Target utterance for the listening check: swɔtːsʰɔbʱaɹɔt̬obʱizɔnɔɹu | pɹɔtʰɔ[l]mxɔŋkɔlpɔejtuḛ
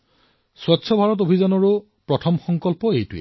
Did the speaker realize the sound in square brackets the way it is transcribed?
no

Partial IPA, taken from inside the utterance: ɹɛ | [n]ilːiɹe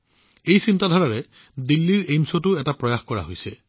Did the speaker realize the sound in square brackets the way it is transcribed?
no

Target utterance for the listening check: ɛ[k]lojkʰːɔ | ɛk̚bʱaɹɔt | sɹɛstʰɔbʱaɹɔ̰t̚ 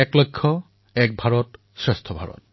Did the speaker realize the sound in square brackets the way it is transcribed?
yes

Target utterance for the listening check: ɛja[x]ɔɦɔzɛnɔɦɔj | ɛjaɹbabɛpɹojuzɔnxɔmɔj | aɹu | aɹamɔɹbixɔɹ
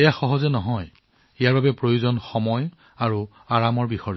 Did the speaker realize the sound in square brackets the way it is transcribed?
yes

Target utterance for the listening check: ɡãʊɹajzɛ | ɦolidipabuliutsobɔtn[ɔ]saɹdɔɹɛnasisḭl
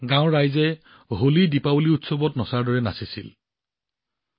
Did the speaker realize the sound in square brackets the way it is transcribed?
yes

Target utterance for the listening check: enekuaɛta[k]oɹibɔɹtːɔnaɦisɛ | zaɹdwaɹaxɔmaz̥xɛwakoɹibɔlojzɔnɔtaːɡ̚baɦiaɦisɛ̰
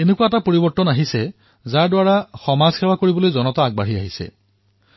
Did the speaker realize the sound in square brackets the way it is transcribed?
no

